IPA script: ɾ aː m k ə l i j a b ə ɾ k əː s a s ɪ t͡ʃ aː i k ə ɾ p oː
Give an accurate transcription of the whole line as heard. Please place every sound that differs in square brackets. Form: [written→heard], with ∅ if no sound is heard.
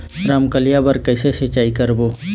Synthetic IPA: ɾ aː m k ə l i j a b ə ɾ k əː s [a→e] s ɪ t͡ʃ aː i k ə ɾ [p→b] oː

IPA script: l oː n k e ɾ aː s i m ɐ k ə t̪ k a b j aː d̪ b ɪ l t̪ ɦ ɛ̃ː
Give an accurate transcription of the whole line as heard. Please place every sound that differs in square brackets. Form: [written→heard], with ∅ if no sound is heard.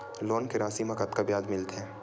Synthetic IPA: l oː n k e ɾ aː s i m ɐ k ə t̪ k a b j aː d̪ [b→m] ɪ l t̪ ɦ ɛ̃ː

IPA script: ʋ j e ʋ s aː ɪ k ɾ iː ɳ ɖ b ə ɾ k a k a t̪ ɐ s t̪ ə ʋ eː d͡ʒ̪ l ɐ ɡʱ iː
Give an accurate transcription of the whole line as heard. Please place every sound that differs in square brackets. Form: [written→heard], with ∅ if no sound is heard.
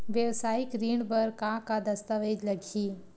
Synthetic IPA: ʋ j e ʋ s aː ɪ k ɾ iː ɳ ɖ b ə ɾ k a k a [t̪→d̪] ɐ s t̪ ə ʋ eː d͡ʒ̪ l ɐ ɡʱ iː

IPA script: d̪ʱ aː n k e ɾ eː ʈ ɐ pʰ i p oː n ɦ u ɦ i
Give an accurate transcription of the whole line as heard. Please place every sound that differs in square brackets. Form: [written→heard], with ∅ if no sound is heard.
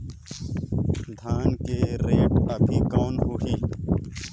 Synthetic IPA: d̪ʱ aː n k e ɾ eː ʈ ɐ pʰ i [p→k] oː n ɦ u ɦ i

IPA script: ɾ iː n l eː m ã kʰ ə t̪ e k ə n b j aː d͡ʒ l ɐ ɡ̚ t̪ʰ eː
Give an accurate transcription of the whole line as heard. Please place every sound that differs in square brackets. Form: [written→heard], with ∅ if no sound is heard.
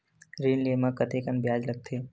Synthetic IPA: ɾ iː n l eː m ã [kʰ→k] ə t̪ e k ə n b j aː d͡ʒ l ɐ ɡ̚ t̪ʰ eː

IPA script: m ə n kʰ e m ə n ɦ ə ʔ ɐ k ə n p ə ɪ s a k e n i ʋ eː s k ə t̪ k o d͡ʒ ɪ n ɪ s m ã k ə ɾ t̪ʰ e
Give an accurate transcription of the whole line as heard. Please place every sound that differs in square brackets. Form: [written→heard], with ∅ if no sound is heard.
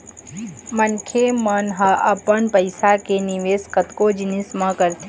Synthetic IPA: m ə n kʰ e m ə n ɦ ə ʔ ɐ [k→p] ə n p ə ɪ s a k e n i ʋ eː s k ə t̪ k o d͡ʒ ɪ n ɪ s m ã k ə ɾ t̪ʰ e

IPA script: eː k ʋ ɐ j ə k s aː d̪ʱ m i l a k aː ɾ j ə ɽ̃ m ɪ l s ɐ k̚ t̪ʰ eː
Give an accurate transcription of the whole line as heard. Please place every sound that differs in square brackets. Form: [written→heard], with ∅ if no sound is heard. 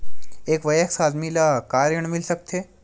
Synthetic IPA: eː k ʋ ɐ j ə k s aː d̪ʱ m i l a k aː ɾ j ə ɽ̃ m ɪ l s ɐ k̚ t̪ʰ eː

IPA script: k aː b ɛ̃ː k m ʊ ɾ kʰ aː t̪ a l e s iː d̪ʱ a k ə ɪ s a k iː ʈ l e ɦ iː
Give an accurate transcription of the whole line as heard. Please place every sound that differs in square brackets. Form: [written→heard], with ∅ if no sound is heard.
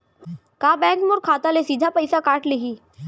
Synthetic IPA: k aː b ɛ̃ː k m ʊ ɾ kʰ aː t̪ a l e s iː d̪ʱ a [k→p] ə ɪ s a k [iː→aː] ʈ l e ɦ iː

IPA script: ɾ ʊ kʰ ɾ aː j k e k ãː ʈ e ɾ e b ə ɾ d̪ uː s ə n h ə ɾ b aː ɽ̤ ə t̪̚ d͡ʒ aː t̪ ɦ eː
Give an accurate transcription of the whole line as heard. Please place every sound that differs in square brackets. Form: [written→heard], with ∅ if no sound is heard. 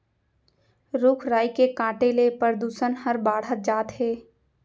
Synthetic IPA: ɾ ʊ kʰ ɾ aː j k e k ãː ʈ e [ɾ→l] e [b→p] ə ɾ d̪ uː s ə n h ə ɾ b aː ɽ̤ ə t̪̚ d͡ʒ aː t̪ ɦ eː

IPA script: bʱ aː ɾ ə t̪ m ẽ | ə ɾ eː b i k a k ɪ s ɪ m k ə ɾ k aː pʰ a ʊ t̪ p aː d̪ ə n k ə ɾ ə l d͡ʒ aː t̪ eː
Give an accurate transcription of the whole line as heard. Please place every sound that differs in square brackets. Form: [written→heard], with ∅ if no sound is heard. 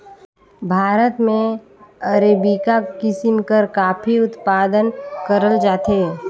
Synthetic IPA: bʱ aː ɾ ə t̪ m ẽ | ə ɾ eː b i k a k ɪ s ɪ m k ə ɾ k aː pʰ [a→i] ʊ t̪ p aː d̪ ə n k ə ɾ ə l d͡ʒ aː t̪ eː

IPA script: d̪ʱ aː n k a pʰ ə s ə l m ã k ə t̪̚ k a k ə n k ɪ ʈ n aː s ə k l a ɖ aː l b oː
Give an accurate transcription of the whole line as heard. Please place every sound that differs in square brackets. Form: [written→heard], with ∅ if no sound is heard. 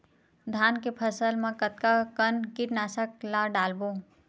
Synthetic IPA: d̪ʱ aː n k [a→e] pʰ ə s ə l m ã k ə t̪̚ k a k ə n k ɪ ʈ n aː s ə k l a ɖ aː l b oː

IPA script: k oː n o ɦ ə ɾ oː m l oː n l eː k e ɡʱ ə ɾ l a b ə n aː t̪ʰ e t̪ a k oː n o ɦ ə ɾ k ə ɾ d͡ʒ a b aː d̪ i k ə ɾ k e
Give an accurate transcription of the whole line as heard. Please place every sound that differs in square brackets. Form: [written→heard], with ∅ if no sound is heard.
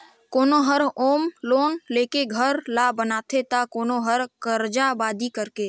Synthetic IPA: k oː n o ɦ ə ɾ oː m l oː n l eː k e ɡʱ ə ɾ l a b ə n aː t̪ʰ e t̪ a k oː n o ɦ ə ɾ k ə ɾ d͡ʒ a b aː d̪ i k ə ɾ k e

